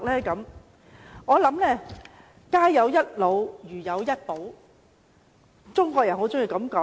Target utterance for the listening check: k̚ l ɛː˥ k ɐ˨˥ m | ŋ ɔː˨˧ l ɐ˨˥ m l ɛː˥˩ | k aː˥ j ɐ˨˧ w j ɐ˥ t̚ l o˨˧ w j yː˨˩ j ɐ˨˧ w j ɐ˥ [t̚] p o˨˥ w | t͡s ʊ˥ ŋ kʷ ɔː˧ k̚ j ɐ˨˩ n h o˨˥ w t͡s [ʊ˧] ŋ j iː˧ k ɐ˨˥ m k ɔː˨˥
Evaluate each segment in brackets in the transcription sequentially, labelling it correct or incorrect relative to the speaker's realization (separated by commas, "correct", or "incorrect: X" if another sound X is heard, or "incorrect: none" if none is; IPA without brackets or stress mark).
correct, incorrect: ʊ˥